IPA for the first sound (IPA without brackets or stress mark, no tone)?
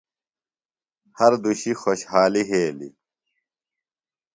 h